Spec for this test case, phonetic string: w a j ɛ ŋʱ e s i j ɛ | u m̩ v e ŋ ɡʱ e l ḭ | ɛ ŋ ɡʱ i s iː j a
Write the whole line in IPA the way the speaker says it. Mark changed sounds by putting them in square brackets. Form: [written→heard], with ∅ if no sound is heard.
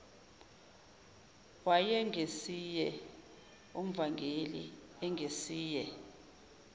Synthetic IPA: w a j ɛ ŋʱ e s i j ɛ | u m̩ v [e→a] ŋ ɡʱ e l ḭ | ɛ ŋ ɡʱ [i→e] s iː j [a→ɛ]